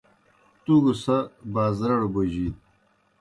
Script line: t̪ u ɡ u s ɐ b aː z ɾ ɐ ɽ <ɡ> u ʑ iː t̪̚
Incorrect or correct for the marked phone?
incorrect: b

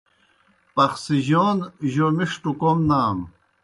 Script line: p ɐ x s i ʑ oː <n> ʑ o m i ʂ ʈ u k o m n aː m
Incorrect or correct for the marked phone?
correct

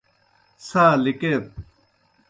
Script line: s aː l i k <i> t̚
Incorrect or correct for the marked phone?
incorrect: e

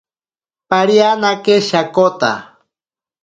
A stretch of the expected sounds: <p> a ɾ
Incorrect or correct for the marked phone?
correct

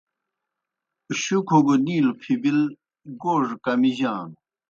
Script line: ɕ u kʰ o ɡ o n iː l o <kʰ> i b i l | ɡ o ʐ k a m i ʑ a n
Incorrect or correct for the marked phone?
incorrect: pʰ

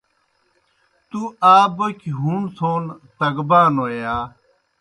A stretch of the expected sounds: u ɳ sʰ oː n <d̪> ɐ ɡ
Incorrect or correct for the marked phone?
incorrect: t̪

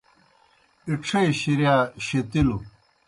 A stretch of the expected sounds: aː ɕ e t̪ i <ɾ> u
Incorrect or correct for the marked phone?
incorrect: l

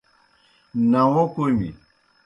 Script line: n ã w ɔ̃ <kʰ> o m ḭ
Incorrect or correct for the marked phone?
incorrect: k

